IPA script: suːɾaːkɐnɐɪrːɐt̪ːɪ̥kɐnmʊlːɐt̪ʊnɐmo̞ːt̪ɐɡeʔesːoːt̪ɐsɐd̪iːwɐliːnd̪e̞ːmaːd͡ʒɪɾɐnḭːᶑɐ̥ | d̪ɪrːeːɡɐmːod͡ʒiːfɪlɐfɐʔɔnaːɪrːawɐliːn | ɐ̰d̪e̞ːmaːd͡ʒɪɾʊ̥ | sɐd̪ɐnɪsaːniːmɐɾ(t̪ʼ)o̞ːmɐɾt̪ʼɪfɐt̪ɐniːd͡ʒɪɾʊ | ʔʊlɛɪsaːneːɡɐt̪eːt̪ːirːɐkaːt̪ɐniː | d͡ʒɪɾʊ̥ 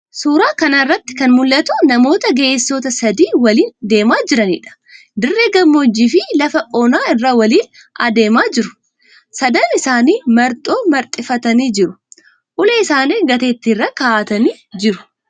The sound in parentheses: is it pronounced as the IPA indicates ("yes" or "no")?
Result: yes